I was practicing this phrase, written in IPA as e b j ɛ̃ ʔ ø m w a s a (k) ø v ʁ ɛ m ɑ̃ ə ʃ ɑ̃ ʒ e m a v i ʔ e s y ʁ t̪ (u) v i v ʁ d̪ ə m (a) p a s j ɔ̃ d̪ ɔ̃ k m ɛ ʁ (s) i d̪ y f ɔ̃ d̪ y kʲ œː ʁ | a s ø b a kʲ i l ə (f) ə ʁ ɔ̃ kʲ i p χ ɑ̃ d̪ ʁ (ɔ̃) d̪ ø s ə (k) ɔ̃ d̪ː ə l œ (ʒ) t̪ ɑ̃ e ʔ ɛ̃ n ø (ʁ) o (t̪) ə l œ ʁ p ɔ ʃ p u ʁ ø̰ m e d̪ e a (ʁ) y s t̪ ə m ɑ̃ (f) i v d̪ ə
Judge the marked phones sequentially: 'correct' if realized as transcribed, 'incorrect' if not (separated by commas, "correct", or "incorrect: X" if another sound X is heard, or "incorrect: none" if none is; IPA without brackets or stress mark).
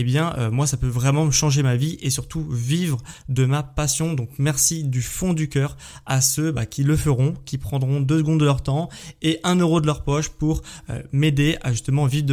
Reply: incorrect: p, correct, correct, correct, correct, correct, incorrect: ɡ, incorrect: ʁ, correct, incorrect: d̪, incorrect: ʒ, incorrect: v